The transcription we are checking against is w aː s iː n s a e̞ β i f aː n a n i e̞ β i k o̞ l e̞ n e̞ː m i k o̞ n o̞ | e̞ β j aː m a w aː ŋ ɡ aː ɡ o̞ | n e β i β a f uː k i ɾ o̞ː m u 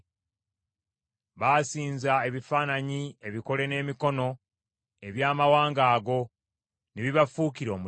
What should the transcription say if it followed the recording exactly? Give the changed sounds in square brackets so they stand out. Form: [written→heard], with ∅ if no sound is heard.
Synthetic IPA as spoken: [w→β] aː s iː n [s→z] a e̞ β i f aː n a [n→ɲ] i e̞ β i k o̞ l e̞ n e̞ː m i k o̞ n o̞ | e̞ β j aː m a w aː ŋ ɡ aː ɡ o̞ | n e β i β a f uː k i ɾ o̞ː m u